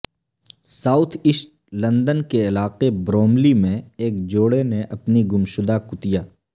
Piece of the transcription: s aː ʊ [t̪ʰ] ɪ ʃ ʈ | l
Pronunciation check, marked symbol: correct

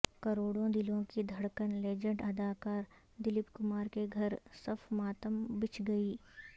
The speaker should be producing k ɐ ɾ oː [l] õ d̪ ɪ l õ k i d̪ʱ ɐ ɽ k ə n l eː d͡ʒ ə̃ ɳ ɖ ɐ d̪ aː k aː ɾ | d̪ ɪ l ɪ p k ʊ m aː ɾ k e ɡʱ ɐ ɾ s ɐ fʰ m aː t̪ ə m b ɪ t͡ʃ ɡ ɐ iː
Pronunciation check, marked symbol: incorrect: ɽ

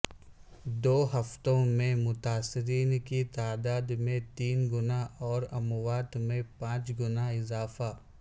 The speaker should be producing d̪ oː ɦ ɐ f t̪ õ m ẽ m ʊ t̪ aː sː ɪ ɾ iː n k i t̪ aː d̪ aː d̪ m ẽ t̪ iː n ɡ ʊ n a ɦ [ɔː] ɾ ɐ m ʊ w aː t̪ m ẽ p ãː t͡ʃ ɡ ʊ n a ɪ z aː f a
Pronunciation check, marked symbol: correct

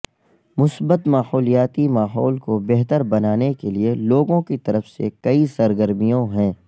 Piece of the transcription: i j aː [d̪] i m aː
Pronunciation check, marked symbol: incorrect: t̪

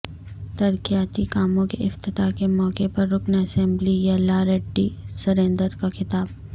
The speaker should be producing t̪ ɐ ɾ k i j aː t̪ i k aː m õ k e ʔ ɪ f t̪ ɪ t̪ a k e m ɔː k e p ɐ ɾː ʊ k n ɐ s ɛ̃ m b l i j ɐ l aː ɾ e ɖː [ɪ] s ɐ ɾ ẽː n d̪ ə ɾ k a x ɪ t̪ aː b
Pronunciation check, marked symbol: incorrect: i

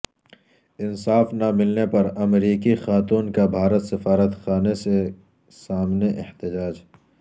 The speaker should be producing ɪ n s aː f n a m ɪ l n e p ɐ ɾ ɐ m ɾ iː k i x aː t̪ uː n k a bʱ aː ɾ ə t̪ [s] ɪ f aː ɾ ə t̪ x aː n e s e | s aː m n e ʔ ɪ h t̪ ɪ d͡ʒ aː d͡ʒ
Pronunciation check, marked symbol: correct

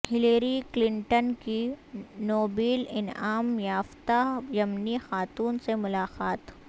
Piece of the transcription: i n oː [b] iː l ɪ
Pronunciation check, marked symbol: correct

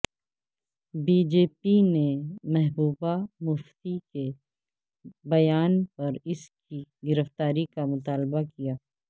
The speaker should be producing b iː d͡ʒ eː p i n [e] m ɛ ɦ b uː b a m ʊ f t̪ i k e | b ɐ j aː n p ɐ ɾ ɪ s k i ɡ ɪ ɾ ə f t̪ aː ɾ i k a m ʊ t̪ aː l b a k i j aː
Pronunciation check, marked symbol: correct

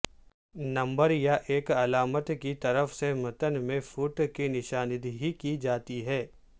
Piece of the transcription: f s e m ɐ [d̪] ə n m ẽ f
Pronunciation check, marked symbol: incorrect: t̪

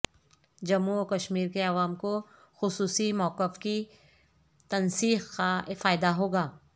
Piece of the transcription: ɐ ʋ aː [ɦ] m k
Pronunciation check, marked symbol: incorrect: none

